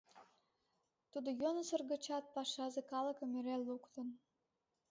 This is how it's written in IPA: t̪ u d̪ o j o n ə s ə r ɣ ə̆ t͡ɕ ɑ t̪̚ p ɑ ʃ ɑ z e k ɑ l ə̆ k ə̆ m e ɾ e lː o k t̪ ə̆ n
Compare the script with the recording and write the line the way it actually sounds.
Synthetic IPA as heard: t̪ u d̪ o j o n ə s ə r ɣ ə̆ t͡ɕ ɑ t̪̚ p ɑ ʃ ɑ z e k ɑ l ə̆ k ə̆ m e ɾ e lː u k t̪ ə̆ n